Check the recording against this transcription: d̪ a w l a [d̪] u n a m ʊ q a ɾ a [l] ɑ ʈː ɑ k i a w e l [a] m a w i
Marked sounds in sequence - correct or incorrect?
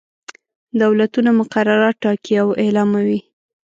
incorrect, incorrect, incorrect

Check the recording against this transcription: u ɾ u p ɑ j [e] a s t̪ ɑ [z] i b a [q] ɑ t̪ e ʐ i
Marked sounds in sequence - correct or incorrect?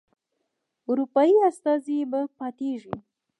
incorrect, correct, incorrect

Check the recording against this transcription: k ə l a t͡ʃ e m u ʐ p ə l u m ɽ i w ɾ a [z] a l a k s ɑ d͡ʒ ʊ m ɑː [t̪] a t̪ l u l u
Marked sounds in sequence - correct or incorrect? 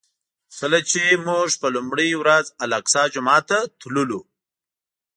correct, correct

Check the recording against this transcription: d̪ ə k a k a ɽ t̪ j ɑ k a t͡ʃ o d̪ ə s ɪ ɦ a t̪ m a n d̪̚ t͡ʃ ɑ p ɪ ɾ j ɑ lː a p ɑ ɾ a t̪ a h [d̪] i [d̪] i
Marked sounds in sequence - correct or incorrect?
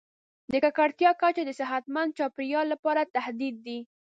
correct, incorrect

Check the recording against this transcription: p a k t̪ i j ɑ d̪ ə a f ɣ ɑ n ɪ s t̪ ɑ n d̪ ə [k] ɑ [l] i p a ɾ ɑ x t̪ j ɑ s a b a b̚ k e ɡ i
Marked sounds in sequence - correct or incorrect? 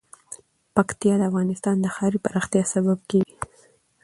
incorrect, incorrect

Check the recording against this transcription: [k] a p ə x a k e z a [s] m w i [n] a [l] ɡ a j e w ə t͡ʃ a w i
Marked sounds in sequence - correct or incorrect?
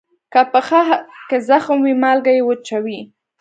correct, incorrect, incorrect, correct

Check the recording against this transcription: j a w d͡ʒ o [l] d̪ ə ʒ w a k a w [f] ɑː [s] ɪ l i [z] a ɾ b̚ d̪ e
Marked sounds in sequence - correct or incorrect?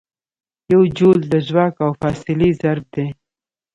correct, correct, correct, correct

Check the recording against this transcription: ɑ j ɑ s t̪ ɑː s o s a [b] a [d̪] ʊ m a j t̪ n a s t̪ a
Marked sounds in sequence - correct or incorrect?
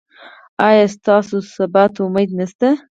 correct, incorrect

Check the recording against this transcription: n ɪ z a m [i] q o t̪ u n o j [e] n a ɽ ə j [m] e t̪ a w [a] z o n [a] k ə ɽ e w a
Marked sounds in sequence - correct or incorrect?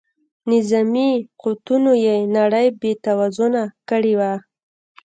correct, correct, incorrect, correct, correct

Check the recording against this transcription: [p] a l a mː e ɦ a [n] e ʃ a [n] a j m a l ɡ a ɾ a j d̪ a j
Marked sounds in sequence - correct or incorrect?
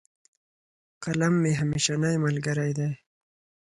incorrect, incorrect, correct

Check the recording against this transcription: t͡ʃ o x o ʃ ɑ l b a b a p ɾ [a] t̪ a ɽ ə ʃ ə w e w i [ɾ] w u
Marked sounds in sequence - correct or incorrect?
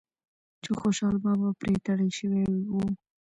incorrect, incorrect

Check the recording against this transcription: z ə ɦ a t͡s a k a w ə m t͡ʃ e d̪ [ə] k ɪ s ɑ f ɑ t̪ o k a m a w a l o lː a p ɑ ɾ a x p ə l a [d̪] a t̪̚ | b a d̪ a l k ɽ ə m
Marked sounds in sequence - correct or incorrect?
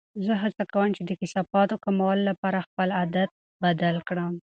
correct, correct

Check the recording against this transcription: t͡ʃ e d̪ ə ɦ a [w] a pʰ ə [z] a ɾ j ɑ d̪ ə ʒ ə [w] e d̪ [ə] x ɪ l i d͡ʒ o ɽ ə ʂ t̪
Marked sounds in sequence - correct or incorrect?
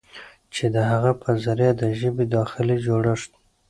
incorrect, correct, incorrect, incorrect

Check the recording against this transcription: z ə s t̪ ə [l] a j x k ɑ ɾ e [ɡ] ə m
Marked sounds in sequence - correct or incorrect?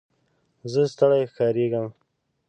incorrect, correct

